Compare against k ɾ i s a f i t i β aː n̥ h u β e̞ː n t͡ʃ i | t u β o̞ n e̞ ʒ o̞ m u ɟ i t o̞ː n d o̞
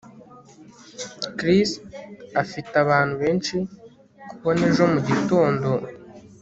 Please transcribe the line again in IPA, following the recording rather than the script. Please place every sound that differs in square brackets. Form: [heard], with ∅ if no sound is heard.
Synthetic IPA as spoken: k ɾ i s a f i t [a] β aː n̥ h u β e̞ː n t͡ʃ i | [k] u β o̞ n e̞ ʒ o̞ m u ɟ i t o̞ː n d o̞